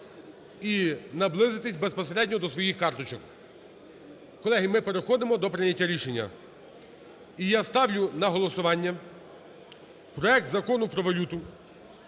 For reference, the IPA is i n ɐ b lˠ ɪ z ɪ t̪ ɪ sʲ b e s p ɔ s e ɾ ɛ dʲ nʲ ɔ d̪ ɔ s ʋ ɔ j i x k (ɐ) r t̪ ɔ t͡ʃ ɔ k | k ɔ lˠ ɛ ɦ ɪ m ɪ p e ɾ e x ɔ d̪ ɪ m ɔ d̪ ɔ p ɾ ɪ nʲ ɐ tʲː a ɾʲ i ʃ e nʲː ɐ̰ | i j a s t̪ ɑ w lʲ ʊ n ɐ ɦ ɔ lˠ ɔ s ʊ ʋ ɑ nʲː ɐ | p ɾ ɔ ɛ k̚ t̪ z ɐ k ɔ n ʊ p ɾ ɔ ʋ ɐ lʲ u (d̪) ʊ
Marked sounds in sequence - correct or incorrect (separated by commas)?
incorrect, incorrect